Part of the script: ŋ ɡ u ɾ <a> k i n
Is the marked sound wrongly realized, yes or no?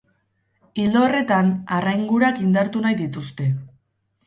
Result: no